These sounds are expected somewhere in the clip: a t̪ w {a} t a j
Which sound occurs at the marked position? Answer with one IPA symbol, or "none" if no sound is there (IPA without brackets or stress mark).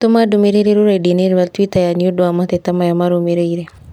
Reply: i